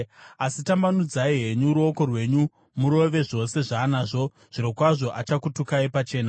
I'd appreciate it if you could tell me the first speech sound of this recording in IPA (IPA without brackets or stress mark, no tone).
a